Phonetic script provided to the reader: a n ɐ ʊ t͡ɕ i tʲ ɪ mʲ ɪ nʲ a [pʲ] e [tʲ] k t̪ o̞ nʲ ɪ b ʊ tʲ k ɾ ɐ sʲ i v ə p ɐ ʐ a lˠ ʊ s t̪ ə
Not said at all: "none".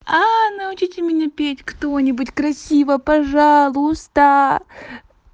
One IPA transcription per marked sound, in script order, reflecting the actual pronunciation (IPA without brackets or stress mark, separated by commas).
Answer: pʲ, tʲ